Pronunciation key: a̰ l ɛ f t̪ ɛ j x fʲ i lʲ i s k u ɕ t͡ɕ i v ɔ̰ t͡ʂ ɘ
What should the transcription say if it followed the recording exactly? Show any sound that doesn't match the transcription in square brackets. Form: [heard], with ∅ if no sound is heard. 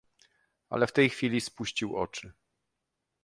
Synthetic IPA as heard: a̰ l ɛ f t̪ ɛ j x fʲ i lʲ i s [p] u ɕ t͡ɕ i [w] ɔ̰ t͡ʂ ɘ